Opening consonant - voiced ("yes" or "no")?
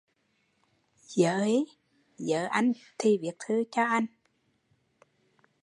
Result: yes